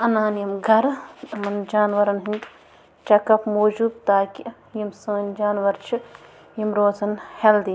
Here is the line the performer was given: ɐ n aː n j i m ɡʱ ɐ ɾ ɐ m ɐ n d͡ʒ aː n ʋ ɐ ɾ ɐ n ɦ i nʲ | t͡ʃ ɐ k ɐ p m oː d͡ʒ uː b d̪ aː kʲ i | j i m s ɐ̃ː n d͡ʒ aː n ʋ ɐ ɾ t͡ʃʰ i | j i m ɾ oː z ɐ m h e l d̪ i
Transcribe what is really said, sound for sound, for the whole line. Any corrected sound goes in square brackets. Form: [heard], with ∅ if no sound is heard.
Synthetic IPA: ɐ n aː n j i m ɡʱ ɐ ɾ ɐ m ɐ n d͡ʒ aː n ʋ ɐ ɾ ɐ n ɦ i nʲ | t͡ʃ ɐ k ɐ p m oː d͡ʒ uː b [t̪] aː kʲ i | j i m s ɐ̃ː n d͡ʒ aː n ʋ ɐ ɾ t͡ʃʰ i | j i m ɾ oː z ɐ [n] h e l d̪ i

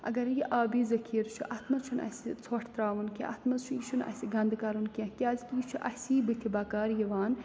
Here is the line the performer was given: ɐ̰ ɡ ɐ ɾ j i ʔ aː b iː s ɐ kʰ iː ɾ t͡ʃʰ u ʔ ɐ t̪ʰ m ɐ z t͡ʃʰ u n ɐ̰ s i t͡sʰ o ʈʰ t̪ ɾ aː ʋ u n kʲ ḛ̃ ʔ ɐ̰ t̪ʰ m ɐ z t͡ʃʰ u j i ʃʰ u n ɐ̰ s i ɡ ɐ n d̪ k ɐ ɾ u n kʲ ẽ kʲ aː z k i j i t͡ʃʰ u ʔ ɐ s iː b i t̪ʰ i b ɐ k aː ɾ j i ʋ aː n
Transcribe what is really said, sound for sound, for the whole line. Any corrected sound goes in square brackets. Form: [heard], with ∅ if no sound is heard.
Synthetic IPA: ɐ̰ ɡ ɐ ɾ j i ʔ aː b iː [z] ɐ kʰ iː ɾ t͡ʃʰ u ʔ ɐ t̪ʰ m ɐ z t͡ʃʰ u n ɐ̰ s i t͡sʰ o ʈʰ t̪ ɾ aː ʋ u n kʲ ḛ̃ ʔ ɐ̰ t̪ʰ m ɐ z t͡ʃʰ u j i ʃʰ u n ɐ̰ s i ɡ ɐ n d̪ k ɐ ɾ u n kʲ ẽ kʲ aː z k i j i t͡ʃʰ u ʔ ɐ s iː b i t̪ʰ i b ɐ k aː ɾ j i ʋ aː n

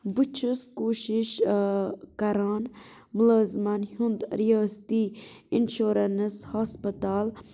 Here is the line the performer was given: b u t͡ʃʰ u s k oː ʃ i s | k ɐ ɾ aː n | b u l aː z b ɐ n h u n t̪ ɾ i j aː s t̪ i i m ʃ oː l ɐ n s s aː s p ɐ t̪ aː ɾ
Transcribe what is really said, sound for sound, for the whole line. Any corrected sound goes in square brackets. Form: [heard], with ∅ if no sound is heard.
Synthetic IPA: b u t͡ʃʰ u s k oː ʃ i [ʃ] | k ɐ ɾ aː n | [m] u l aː z [m] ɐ n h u n [d̪] ɾ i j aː s t̪ i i [n] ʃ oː [ɾ] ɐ n s [h] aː s p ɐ t̪ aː [l]

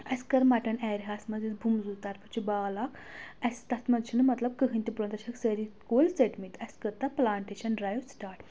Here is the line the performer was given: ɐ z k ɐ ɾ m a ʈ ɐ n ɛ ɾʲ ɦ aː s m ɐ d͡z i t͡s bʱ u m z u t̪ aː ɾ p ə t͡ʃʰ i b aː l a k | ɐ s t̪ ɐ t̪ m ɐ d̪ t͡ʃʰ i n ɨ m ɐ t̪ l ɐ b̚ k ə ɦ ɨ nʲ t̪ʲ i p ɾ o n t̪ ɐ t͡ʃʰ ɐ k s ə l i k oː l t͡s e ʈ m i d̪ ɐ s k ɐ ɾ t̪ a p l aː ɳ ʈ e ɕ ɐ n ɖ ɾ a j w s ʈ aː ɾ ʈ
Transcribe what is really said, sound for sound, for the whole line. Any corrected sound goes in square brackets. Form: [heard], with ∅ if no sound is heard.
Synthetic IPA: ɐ [s] k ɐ ɾ m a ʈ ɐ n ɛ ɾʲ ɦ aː s m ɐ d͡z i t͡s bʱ u m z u t̪ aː ɾ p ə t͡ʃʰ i b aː l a k | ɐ s t̪ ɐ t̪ m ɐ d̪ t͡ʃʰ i n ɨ m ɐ t̪ l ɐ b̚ k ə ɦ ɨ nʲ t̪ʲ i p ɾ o n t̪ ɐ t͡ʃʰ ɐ k s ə [ɾ] i k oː l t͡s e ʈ m i [t̪] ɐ s k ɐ ɾ t̪ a p l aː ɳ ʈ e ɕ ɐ n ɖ ɾ a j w s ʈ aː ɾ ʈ

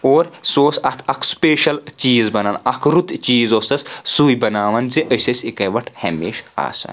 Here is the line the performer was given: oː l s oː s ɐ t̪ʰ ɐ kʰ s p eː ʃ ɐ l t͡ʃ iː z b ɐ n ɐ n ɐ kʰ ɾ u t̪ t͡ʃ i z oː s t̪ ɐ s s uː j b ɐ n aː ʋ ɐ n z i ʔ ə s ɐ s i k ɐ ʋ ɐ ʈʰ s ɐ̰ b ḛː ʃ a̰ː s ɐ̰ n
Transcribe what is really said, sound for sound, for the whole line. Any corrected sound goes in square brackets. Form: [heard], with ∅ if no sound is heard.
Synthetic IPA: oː [ɾ] s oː s ɐ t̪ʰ ɐ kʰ s p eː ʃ ɐ l t͡ʃ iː z b ɐ n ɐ n ɐ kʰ ɾ u t̪ t͡ʃ [iː] z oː s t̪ ɐ s s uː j b ɐ n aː ʋ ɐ n z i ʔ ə s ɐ s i k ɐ ʋ ɐ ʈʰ [h] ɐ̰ [m] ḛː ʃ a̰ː s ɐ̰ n

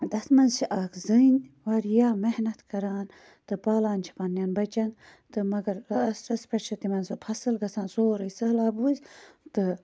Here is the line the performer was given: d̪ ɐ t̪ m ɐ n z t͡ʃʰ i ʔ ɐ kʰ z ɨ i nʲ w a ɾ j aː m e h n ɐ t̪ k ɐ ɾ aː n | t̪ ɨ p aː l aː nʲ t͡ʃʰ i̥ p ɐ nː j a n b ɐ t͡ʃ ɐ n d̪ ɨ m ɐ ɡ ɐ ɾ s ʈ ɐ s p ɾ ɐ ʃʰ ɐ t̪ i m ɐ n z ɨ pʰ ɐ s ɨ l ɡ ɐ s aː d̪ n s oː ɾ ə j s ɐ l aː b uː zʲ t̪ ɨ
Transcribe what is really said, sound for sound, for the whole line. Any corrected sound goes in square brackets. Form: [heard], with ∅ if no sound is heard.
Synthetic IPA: d̪ ɐ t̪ m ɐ n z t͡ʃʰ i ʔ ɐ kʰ z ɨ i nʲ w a ɾ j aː m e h n ɐ t̪ k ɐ ɾ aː n | t̪ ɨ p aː l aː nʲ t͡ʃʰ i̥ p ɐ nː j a n b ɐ t͡ʃ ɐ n [t̪] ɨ m ɐ ɡ ɐ ɾ s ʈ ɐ s p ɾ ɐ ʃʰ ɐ t̪ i m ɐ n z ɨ pʰ ɐ s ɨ l ɡ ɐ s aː [∅] n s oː ɾ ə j s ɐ l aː b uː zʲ t̪ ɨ

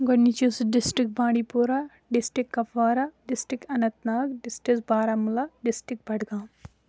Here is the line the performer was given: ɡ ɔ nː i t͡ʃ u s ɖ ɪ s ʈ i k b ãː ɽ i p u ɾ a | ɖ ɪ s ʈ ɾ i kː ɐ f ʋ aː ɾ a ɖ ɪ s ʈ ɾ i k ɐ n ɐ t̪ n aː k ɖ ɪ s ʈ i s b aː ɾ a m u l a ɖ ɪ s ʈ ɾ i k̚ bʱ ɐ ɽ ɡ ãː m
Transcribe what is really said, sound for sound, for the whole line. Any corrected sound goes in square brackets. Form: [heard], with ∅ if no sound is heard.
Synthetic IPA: ɡ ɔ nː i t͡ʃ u s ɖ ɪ s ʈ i k b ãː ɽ i p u ɾ a | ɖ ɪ s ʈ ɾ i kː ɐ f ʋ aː ɾ a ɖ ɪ s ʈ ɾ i k ɐ n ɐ t̪ n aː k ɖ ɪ s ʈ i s b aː ɾ a m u l a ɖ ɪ s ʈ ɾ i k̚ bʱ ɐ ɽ ɡ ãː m

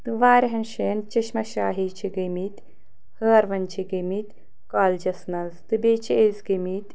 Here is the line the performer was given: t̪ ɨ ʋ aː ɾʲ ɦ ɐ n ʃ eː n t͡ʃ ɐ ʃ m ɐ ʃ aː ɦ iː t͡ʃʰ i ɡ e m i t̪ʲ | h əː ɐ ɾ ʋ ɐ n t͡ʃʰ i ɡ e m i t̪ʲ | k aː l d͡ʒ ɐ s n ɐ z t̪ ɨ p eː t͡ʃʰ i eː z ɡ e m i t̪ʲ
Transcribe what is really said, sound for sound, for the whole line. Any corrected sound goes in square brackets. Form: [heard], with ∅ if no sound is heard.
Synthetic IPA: t̪ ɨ ʋ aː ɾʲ ɦ ɐ n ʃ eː n t͡ʃ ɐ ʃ m ɐ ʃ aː ɦ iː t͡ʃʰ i ɡ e m i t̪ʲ | h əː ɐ ɾ ʋ ɐ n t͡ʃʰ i ɡ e m i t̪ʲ | k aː l d͡ʒ ɐ s n ɐ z t̪ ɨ [b] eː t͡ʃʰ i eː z ɡ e m i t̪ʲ

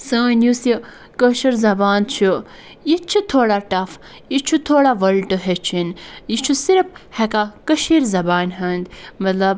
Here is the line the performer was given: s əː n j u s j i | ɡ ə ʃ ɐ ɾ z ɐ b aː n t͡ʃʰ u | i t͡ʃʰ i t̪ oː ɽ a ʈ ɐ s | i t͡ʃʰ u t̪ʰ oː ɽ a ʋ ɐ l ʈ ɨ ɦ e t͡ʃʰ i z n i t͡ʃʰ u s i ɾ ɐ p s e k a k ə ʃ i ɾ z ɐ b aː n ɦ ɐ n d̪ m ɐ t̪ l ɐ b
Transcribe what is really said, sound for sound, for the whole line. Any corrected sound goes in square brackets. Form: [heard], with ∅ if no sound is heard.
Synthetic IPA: s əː n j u s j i | [k] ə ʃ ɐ ɾ z ɐ b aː n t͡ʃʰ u | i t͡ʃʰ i [t̪ʰ] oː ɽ a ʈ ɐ [f] | i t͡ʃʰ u t̪ʰ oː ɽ a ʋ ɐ l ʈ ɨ ɦ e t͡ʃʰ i [∅] n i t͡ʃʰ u s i ɾ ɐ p [h] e k a k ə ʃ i ɾ z ɐ b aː n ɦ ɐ n d̪ m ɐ t̪ l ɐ b

